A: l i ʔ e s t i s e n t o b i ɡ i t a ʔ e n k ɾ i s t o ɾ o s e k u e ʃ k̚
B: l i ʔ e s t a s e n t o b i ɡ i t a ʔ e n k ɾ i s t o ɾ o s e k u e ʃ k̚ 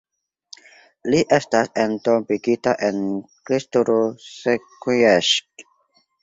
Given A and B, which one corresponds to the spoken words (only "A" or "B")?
B